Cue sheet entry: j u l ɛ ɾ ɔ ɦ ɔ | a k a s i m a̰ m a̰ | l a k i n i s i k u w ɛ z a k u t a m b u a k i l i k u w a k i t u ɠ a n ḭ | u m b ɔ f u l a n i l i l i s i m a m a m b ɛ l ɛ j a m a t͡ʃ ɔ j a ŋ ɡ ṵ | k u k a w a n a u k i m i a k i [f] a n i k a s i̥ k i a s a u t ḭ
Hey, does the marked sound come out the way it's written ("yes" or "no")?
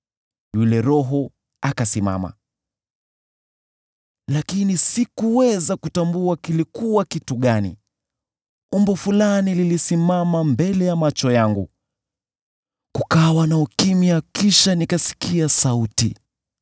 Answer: no